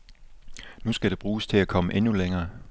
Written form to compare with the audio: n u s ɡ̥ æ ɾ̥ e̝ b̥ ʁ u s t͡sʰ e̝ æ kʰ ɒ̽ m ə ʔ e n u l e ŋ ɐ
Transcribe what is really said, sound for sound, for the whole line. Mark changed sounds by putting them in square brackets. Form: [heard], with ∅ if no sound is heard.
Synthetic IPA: n u s ɡ̥ æ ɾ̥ e̝ b̥ ʁ [uː] s t͡sʰ e̝ æ kʰ ɒ̽ m ə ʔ e n u l e ŋ [ɐː]